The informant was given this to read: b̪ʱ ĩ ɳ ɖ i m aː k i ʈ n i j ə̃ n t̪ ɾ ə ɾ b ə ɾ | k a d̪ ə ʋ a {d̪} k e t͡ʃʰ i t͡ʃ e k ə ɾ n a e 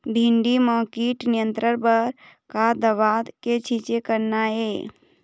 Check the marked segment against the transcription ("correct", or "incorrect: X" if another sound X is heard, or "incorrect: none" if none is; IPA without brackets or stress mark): correct